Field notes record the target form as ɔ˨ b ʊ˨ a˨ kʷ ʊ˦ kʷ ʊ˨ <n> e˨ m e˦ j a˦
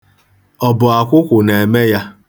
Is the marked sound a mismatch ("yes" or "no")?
no